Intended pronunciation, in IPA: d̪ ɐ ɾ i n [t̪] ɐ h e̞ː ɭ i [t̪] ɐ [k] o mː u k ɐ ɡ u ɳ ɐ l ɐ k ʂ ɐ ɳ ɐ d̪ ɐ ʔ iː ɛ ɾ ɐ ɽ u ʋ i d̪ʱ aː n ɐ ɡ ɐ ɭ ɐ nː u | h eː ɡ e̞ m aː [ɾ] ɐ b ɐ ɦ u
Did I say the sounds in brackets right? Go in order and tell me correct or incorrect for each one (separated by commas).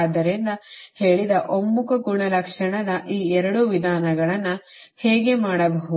incorrect, incorrect, incorrect, incorrect